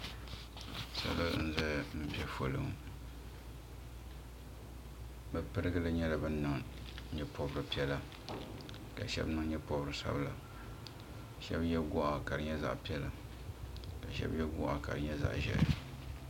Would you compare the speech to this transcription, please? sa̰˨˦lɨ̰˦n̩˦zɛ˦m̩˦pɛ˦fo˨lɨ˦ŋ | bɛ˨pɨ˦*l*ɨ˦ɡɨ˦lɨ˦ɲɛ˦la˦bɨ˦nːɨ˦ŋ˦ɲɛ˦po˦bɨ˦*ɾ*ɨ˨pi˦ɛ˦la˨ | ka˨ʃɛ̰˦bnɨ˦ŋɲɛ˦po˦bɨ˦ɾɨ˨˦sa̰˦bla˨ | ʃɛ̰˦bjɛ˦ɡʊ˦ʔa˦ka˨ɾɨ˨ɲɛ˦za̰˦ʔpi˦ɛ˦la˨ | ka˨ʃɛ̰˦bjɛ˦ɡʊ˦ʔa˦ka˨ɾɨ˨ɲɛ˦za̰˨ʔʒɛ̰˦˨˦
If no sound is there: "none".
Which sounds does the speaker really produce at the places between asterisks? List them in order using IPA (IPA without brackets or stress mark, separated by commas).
ɾ, ɾ